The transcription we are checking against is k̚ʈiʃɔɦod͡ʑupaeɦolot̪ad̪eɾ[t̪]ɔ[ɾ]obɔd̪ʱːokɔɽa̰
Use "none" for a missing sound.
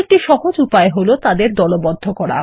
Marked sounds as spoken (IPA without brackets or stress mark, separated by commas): d̪, l